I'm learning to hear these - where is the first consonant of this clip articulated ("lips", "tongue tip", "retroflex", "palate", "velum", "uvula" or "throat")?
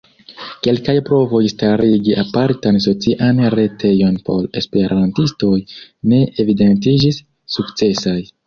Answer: velum